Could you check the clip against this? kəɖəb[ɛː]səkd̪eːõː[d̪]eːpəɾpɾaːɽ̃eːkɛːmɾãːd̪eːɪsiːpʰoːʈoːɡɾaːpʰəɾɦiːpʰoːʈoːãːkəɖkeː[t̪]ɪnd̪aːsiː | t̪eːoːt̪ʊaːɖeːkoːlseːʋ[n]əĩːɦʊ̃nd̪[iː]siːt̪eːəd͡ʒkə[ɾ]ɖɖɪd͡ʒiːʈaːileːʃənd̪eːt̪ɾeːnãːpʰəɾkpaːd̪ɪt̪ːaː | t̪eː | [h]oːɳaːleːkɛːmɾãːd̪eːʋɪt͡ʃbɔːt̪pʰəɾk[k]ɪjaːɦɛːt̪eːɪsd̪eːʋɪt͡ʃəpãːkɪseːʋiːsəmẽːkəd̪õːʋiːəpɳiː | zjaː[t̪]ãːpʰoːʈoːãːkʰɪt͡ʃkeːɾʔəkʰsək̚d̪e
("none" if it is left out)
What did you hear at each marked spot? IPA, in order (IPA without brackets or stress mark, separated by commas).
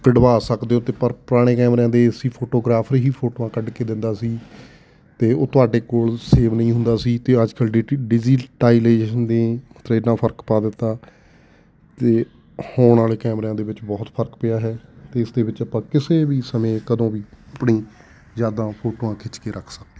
aː, t̪, d̪, n, aː, l, h, p, d̪